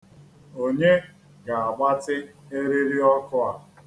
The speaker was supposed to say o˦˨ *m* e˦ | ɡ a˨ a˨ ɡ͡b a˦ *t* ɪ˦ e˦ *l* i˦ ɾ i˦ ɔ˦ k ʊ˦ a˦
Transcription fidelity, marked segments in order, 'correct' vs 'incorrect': incorrect: ɲ, correct, incorrect: ɾ

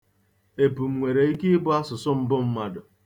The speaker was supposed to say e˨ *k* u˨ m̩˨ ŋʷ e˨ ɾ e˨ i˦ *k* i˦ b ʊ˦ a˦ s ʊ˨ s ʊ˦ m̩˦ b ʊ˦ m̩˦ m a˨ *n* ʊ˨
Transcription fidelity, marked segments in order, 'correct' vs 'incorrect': incorrect: p, correct, incorrect: d

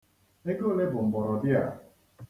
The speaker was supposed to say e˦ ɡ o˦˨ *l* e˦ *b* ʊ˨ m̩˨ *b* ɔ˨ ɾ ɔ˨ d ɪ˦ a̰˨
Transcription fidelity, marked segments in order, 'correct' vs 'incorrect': correct, correct, correct

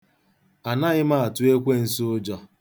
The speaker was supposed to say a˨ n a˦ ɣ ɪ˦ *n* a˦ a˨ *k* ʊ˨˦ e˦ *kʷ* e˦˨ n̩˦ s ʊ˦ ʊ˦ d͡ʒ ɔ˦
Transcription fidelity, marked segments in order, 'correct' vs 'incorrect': incorrect: m, incorrect: t, correct

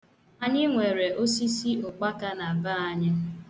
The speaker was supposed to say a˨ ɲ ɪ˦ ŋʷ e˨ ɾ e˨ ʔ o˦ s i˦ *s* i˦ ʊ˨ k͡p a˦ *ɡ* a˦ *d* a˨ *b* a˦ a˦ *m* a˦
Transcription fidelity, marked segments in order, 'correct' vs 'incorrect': correct, incorrect: k, incorrect: n, correct, incorrect: ɲ

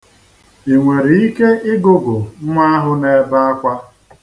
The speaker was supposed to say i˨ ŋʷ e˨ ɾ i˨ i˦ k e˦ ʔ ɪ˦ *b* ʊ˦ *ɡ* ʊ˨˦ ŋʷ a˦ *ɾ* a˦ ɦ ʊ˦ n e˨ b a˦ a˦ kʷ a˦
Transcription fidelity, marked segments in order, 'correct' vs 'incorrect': incorrect: ɡ, correct, incorrect: none

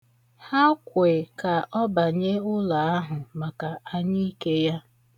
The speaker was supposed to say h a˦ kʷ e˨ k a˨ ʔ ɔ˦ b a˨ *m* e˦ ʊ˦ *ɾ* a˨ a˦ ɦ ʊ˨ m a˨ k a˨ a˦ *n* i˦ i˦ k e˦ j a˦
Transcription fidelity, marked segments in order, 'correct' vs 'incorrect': incorrect: ɲ, incorrect: l, incorrect: ɲ

